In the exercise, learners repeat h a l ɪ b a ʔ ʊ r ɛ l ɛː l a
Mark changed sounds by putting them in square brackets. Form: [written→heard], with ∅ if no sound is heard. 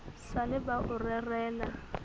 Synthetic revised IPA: [h→s] a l ɪ b a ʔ ʊ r ɛ [l→r] ɛː l a